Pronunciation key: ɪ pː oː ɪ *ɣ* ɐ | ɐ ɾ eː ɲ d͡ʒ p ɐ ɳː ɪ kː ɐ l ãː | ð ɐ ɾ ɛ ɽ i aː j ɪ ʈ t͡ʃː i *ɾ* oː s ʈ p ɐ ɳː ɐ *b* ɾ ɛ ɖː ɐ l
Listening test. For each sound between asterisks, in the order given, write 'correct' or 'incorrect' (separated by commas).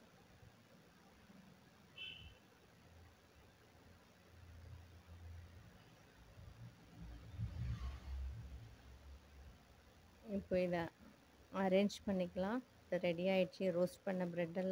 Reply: incorrect, correct, correct